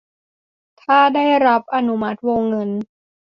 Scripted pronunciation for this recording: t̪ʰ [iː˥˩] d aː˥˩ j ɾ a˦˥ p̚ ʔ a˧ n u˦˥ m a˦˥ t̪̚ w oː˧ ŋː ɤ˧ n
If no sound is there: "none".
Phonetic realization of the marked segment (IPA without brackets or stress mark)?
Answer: aː˥˩